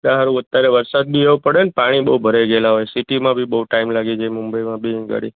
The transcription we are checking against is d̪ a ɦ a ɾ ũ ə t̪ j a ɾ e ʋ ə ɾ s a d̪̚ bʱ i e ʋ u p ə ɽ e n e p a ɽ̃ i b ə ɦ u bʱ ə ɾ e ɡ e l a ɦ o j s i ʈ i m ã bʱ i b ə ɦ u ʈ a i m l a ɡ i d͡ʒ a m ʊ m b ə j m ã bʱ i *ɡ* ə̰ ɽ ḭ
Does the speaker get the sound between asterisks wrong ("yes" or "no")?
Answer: no